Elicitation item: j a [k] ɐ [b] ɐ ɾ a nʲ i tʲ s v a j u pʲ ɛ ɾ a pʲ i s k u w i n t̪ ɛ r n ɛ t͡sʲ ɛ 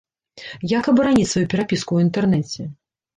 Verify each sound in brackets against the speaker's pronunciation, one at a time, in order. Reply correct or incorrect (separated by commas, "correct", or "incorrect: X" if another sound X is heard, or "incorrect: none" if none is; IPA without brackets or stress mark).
correct, correct